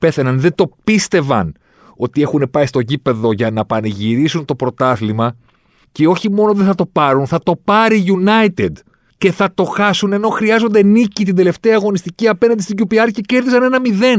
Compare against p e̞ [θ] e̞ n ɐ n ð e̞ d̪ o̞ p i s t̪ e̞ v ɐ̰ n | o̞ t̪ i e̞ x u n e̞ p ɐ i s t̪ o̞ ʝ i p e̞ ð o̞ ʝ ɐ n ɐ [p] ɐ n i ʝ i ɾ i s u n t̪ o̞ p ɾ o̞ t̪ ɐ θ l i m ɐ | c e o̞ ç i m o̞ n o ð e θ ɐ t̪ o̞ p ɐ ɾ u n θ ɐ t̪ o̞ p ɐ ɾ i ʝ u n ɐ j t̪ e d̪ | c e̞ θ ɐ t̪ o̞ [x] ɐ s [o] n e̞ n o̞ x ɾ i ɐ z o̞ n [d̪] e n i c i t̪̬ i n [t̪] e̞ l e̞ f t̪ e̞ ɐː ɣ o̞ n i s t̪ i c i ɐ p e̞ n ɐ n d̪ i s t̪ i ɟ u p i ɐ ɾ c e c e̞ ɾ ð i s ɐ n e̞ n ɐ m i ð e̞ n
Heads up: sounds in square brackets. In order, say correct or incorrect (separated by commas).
correct, correct, correct, incorrect, correct, incorrect